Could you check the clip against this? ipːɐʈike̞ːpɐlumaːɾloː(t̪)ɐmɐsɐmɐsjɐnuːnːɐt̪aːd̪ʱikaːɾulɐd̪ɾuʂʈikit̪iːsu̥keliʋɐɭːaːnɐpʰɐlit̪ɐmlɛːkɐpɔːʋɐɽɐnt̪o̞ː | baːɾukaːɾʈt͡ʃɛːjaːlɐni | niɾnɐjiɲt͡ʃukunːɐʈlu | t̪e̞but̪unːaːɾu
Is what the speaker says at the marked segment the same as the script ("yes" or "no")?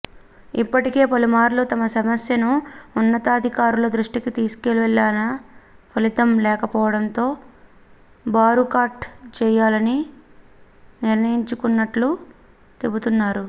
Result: yes